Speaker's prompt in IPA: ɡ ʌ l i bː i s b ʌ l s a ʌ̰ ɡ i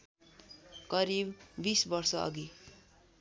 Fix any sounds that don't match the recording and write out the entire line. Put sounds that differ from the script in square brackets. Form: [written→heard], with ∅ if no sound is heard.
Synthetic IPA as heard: [ɡ→k] ʌ [l→ɾ] i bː i s b ʌ [l→r] s [a→ʌ] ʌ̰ ɡ i